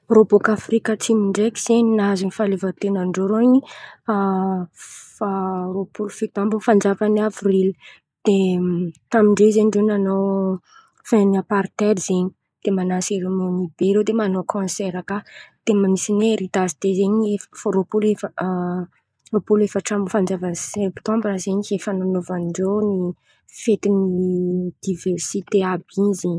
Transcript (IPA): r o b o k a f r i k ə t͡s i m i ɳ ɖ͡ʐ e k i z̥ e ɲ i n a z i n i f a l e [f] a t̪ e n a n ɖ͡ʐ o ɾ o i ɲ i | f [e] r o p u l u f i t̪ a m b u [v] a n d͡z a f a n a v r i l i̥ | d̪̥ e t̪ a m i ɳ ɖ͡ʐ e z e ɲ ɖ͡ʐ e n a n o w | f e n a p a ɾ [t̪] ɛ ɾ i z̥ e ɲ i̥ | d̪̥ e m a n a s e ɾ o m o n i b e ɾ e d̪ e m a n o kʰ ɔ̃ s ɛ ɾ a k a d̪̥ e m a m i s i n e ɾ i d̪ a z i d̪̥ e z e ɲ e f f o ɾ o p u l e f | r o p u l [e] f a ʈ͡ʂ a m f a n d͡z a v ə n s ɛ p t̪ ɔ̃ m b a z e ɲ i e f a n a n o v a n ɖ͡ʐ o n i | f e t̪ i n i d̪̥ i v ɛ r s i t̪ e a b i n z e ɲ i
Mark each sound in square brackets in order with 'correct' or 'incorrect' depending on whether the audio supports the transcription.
incorrect, incorrect, incorrect, correct, correct

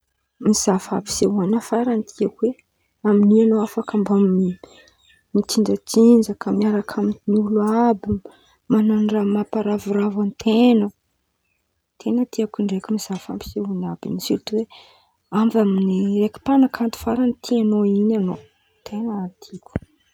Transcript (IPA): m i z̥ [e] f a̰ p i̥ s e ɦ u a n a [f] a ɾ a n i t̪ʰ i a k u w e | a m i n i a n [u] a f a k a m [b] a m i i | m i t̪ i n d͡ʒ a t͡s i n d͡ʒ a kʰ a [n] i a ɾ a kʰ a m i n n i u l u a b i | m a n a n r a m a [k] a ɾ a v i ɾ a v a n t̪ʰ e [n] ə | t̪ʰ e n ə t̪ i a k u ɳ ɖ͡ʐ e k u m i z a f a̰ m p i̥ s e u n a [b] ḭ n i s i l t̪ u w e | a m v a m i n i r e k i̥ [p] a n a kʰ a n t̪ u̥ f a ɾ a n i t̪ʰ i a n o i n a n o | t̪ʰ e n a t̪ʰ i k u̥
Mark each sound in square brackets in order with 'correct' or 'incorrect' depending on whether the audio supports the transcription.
incorrect, correct, incorrect, correct, incorrect, incorrect, correct, correct, correct

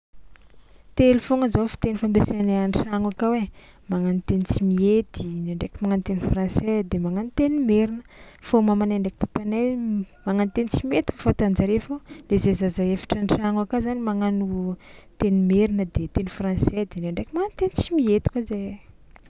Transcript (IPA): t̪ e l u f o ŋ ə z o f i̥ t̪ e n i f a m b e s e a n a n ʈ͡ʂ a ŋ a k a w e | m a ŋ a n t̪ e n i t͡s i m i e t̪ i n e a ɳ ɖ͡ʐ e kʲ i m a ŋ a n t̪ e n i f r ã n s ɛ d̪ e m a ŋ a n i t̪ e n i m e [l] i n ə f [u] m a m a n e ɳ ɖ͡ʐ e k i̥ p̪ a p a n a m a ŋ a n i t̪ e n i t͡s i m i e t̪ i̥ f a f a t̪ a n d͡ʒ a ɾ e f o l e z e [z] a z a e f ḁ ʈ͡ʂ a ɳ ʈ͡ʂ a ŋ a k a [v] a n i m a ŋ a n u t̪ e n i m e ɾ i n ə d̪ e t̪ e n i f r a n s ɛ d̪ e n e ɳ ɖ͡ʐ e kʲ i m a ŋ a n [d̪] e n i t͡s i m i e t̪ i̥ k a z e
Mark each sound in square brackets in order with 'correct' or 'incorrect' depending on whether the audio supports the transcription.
incorrect, incorrect, correct, incorrect, incorrect

